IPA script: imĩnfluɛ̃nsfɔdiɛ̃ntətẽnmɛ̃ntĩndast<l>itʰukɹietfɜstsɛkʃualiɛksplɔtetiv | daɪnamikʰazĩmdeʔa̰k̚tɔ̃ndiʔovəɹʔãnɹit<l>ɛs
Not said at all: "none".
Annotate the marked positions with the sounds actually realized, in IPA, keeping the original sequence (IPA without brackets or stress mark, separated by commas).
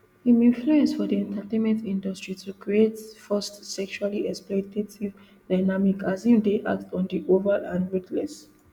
ɹ, l